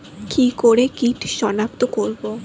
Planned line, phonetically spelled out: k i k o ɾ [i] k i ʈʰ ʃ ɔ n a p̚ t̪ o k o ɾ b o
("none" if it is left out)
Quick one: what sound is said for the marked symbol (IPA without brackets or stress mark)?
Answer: e